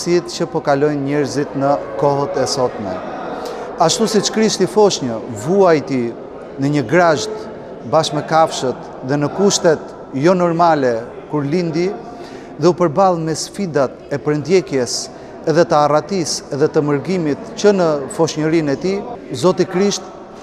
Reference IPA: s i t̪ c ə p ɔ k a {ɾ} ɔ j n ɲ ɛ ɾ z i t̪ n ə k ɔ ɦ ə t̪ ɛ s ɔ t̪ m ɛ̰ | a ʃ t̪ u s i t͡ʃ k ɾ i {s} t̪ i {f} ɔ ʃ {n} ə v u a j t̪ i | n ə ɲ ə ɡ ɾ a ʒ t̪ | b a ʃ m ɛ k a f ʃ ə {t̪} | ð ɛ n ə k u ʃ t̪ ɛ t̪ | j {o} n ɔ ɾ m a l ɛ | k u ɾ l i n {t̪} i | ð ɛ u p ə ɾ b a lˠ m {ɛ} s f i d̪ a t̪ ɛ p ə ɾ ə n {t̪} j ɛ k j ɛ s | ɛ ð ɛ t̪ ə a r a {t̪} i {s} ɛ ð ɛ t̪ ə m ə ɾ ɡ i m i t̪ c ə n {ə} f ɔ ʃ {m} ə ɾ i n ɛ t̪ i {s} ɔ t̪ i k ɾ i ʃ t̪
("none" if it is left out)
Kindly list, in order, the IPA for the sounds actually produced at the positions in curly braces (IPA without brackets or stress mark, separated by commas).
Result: l, ʃ, f, ɲ, t̪, ɔ, d̪, ɛ, d̪, t̪, s, ə, ɲ, z